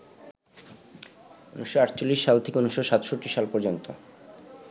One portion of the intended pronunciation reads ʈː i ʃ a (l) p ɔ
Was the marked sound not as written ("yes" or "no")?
no